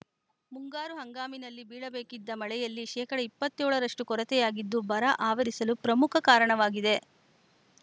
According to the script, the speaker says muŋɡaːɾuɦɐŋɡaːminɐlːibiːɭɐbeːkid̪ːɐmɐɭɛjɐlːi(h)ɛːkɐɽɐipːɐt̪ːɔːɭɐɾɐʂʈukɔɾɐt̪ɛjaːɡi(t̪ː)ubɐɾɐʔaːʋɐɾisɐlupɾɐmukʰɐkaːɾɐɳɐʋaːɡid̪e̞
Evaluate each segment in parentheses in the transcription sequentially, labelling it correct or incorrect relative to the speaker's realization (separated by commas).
incorrect, incorrect